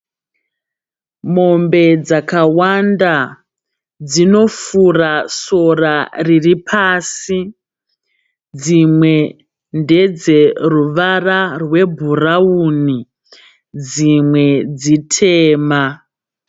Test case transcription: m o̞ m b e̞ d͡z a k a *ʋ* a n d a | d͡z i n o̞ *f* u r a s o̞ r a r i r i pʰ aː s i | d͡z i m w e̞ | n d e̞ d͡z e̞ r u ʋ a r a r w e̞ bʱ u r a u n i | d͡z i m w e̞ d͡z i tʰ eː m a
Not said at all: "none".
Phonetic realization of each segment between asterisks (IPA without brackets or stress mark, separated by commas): w, f